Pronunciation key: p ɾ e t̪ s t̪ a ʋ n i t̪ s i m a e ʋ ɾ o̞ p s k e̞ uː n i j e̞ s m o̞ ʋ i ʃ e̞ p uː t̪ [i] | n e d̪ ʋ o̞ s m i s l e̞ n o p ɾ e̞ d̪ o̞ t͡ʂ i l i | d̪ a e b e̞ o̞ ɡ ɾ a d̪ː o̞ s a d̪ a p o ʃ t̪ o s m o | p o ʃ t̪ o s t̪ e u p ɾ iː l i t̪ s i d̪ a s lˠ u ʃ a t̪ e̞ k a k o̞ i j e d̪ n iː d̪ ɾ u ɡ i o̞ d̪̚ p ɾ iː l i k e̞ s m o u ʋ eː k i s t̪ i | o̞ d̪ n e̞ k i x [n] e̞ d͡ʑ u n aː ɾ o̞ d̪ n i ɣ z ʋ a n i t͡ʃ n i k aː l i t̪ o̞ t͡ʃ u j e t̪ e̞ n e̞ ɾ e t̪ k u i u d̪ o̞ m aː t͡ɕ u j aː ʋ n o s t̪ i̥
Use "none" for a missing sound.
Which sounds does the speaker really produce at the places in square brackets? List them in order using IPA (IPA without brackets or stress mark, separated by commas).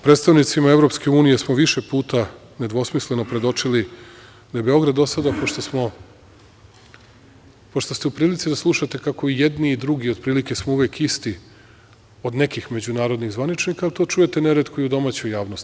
a, m